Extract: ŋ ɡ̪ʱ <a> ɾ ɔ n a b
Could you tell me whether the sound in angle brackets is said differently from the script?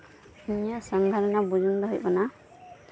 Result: no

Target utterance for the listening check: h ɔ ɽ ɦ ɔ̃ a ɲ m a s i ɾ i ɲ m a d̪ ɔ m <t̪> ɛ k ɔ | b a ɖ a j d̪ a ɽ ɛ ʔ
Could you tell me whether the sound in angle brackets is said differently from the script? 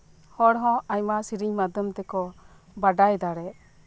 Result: no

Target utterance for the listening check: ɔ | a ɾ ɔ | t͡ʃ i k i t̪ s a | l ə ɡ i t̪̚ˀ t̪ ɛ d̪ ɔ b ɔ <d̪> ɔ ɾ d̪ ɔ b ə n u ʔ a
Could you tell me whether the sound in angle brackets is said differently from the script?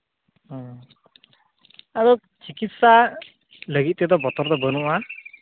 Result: yes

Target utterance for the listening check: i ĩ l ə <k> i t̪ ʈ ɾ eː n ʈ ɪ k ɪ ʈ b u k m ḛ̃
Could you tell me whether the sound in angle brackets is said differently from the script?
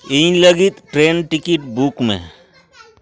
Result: yes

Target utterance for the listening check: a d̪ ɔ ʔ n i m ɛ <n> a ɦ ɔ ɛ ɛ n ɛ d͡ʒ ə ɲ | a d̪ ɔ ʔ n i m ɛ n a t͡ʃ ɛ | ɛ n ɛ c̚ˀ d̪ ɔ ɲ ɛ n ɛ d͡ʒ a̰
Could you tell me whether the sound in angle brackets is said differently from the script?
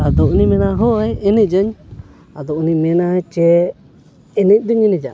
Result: no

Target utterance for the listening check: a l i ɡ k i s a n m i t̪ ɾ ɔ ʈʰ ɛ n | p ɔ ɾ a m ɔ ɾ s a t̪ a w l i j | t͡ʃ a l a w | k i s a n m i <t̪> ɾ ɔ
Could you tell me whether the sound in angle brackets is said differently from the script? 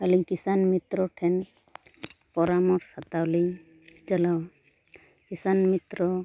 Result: no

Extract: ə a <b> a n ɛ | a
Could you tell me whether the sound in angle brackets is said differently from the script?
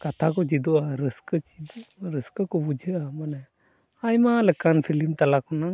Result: yes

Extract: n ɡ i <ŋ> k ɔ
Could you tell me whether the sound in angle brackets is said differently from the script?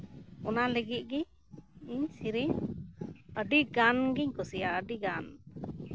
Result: yes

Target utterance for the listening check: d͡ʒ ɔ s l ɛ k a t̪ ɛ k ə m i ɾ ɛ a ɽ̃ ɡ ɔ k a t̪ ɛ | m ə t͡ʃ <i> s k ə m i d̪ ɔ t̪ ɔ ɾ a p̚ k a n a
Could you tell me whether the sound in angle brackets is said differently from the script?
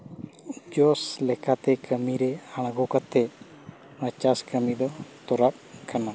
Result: yes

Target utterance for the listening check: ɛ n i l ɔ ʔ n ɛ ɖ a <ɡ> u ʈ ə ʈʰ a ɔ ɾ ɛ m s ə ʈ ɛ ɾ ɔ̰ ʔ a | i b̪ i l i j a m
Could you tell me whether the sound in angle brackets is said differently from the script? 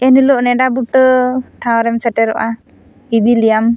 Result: yes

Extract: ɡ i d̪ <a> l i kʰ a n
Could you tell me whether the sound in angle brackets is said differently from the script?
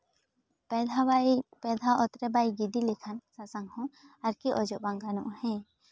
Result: yes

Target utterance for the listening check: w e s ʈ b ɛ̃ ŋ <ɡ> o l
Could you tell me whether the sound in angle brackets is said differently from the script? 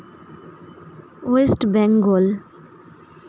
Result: no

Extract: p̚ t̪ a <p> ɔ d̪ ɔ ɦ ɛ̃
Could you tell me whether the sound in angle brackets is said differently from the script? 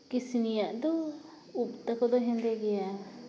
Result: yes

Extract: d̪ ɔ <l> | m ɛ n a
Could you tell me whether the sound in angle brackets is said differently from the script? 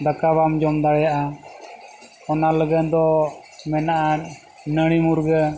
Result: yes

